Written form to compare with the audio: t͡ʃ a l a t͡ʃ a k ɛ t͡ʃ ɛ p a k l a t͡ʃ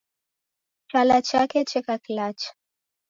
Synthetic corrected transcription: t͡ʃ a l a t͡ʃ a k ɛ t͡ʃ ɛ k a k l a t͡ʃ